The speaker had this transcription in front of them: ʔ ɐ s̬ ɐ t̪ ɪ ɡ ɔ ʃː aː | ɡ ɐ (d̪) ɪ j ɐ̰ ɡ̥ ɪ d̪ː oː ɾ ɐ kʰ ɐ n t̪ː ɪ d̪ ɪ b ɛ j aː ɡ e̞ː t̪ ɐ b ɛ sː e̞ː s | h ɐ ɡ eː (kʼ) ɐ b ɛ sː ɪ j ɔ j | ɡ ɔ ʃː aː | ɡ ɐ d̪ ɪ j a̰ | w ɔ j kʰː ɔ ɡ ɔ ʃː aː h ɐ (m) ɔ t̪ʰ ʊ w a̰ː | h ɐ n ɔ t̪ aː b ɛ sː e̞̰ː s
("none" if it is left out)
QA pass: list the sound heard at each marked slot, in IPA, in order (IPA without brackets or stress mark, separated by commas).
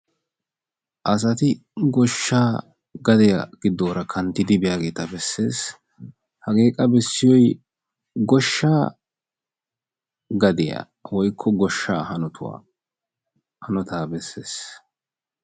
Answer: d̪, kʼ, n